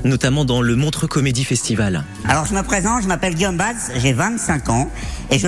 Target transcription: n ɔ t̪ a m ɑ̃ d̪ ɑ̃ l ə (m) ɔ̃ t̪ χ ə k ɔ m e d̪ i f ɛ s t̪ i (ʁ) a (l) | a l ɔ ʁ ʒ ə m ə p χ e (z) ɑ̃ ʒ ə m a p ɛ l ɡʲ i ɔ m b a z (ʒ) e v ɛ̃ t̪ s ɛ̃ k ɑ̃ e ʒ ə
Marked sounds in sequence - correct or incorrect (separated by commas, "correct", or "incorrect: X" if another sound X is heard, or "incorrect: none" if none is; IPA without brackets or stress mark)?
correct, incorrect: v, correct, correct, correct